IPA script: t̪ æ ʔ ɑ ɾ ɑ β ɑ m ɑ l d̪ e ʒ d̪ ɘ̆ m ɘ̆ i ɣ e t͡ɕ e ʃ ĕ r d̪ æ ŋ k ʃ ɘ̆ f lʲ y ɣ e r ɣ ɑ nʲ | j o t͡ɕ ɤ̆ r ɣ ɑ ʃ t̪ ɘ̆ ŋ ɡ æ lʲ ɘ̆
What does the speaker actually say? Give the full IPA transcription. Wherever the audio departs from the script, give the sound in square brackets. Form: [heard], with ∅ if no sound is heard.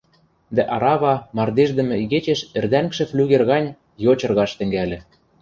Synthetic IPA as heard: [d̪] æ ʔ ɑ ɾ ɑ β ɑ m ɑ [r] d̪ e ʒ d̪ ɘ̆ m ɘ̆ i ɣ e t͡ɕ e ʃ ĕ r d̪ æ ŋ k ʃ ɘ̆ f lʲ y ɣ e r ɣ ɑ nʲ | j o t͡ɕ ɤ̆ r ɣ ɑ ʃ t̪ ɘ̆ ŋ ɡ æ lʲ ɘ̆